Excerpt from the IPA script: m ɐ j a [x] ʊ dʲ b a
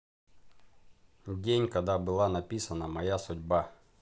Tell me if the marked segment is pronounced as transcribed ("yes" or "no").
no